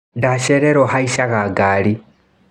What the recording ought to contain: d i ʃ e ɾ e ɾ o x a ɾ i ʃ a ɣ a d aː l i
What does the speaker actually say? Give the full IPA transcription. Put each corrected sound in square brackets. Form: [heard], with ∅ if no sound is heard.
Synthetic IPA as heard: d [a] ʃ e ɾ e ɾ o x a [∅] i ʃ a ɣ a [ɡ] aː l i

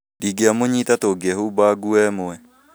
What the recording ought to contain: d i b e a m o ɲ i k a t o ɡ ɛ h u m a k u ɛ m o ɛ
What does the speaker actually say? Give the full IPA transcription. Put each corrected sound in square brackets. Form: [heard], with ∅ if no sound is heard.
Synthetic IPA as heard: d i [ɡ] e a m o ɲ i [t] a t o ɡ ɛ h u [b] a [ɡ] u ɛ m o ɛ

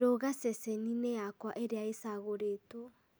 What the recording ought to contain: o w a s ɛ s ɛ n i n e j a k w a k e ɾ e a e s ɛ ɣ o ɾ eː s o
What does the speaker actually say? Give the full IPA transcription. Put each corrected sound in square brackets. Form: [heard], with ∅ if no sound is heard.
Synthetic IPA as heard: o [ɣ] a s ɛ s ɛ n i n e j a k w a [ʔ] e ɾ e a e s [a] ɣ o ɾ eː [t] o

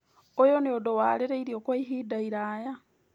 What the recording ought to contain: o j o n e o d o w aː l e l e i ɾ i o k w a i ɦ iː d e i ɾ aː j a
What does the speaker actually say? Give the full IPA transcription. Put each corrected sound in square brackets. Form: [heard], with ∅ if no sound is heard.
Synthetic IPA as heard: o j o n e o d o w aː l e [ɾ] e i ɾ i o k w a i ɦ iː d [a] i ɾ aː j a

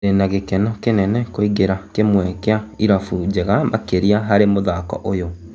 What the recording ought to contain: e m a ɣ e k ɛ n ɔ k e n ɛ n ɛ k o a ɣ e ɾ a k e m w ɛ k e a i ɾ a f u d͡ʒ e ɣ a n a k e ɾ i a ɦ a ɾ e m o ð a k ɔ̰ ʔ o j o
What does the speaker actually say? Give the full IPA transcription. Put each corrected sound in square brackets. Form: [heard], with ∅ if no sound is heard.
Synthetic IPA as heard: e [n] a ɣ e k ɛ n ɔ k e n ɛ n ɛ k o [i] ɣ e ɾ a k e m w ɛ k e a i ɾ a f u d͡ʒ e ɣ a [m] a k e ɾ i a ɦ a ɾ e m o ð a k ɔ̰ ʔ o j o

